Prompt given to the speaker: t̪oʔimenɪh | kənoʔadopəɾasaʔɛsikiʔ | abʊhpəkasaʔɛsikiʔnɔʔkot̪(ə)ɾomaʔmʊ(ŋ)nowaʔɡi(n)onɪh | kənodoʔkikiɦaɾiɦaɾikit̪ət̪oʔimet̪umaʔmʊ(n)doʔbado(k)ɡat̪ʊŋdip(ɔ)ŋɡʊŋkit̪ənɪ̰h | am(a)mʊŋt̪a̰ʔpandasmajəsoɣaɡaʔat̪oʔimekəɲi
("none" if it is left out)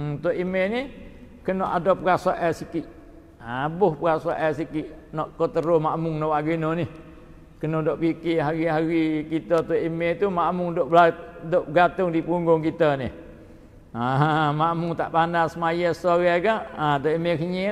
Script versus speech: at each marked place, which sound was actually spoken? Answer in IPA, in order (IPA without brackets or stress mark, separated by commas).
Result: ə, ŋ, n, ŋ, ʔ, u, a